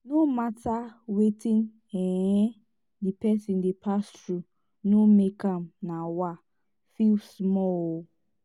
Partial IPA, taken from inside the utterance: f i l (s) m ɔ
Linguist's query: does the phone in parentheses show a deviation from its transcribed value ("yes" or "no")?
no